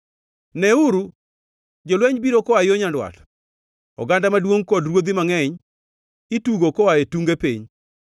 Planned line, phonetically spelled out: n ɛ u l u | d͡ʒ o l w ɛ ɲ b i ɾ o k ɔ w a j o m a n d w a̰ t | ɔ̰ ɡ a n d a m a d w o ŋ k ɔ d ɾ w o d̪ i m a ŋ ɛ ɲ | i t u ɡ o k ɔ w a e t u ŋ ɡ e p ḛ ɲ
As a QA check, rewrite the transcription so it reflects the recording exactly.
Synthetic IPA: n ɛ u ɾ u | d͡ʒ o l w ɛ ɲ b i ɾ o k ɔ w a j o ɲ a n d w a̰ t | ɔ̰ ɡ a n d a m a d w o ŋ k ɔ d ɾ w o d̪ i m a ŋ ɛ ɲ | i t u ɡ o k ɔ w a e t u ŋ ɡ e p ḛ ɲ